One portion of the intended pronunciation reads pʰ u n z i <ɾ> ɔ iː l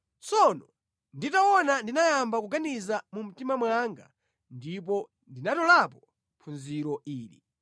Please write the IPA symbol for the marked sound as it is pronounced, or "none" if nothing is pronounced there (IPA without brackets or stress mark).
ɾ